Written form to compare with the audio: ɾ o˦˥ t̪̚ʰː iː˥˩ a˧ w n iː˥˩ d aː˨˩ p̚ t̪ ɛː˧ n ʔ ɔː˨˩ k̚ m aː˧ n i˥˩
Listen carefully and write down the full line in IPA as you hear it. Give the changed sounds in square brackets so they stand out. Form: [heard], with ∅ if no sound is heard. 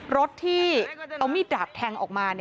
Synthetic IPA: ɾ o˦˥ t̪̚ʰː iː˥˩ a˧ w [m] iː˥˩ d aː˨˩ p̚ [t̪ʰ] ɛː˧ [ŋ] ʔ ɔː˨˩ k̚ m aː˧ n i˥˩